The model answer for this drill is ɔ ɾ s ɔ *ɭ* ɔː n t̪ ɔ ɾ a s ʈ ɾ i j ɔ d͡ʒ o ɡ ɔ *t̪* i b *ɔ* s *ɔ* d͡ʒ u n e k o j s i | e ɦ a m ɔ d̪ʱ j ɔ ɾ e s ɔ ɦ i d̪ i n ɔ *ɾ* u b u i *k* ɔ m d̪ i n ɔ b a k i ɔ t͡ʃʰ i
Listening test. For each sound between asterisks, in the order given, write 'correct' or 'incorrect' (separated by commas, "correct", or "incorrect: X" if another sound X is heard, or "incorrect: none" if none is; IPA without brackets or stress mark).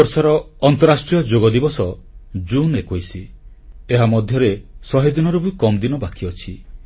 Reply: incorrect: ɾ, incorrect: d̪, correct, correct, correct, correct